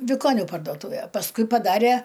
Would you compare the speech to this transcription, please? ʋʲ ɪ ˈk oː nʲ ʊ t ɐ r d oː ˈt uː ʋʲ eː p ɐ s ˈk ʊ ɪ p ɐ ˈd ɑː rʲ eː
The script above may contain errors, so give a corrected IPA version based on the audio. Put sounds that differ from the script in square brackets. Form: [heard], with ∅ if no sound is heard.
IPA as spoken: ʋʲ ɪ ˈk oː nʲ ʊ [p] ɐ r d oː ˈt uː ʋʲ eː p ɐ s ˈk ʊ ɪ p ɐ ˈd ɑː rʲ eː